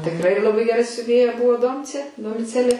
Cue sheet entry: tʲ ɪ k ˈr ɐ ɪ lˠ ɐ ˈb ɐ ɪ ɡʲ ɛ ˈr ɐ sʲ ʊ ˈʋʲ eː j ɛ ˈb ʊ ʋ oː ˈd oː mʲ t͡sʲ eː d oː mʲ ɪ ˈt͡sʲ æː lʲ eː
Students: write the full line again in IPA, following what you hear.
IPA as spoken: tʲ ɪ k ˈr ɐ ɪ lˠ ɐ ˈb ɐ ɪ ɡʲ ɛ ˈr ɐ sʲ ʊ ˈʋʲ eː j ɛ ˈb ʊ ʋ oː ˈd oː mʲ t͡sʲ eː d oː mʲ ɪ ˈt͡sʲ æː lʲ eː